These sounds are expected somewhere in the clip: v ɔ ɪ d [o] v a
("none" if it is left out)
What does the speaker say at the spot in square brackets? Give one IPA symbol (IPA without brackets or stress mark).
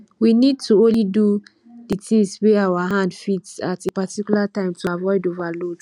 o